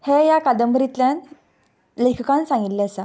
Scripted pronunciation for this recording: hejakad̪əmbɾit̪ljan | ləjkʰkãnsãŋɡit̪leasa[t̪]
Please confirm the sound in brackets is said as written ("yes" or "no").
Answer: no